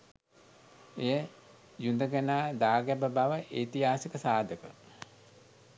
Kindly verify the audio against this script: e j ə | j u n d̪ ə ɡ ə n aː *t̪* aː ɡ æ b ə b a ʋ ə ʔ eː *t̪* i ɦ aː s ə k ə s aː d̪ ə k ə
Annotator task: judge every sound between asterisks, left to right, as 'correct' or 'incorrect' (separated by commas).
incorrect, correct